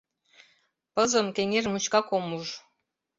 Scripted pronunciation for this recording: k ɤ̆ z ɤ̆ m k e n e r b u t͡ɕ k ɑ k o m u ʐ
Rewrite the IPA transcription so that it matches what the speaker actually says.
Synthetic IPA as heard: p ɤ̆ z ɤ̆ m k e ŋ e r m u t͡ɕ k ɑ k o m u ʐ